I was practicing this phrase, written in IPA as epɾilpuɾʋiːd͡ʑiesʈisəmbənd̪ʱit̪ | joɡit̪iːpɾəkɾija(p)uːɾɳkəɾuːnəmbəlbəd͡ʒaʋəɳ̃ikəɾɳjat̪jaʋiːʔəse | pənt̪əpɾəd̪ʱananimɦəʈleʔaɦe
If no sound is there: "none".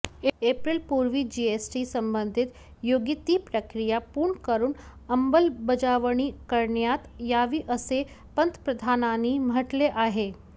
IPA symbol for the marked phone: p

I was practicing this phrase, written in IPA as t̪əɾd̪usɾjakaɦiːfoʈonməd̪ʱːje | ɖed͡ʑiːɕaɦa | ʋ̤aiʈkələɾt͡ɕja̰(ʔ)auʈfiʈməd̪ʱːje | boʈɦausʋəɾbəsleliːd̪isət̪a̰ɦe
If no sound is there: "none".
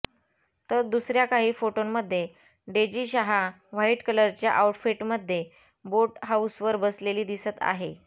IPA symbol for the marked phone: ʔ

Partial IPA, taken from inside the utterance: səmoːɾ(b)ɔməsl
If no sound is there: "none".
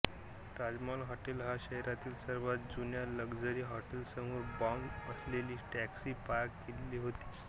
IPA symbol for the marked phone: b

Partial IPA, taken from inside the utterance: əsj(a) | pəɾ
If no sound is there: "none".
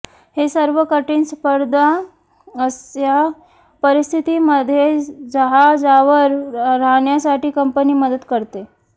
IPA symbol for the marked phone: a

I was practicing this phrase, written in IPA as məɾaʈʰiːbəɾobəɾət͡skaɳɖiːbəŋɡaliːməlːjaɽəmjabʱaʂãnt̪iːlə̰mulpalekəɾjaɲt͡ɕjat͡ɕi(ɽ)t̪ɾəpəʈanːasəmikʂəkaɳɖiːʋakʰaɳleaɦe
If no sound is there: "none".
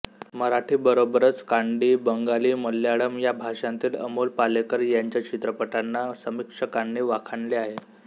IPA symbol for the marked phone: none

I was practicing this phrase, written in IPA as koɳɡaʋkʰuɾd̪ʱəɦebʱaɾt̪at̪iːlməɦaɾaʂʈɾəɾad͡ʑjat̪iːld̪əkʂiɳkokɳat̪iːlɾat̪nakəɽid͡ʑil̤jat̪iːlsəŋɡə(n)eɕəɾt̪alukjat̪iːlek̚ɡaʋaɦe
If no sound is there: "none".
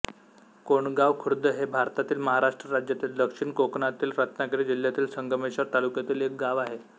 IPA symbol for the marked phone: m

